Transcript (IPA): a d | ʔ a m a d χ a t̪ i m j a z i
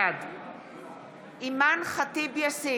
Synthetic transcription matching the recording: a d | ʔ i m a n χ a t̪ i b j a s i